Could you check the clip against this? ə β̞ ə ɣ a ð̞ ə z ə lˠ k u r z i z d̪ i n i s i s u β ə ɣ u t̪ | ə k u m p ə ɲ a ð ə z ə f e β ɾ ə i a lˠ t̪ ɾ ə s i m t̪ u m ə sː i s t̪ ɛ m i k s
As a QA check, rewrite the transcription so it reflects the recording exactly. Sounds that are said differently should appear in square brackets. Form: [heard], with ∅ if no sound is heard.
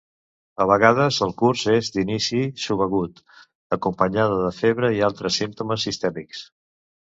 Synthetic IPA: ə β̞ ə ɣ a ð̞ ə z ə lˠ k u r z [e] z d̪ i n i s i s u β ə ɣ u t̪ | ə k u m p ə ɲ a ð ə [ð] ə f e β ɾ ə i a lˠ t̪ ɾ ə s i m t̪ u m ə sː i s t̪ ɛ m i k s